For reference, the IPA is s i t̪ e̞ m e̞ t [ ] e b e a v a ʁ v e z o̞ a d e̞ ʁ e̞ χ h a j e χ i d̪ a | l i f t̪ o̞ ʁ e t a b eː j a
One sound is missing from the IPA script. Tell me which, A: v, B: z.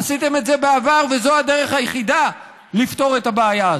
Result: B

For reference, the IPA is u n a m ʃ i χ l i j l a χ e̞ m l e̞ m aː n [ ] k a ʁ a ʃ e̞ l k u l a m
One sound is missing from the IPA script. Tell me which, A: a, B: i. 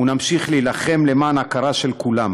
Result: A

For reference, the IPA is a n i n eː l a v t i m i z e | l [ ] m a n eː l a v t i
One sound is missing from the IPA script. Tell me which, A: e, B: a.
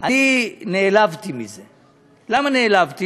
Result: B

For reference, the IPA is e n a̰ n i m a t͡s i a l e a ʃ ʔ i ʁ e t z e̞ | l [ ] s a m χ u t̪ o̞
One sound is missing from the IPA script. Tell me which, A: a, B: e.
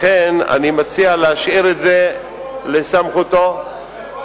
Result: B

